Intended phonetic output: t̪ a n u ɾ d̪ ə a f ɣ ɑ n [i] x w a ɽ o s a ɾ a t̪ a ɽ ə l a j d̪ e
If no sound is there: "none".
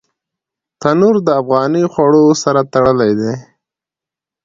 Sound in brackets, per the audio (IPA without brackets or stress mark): i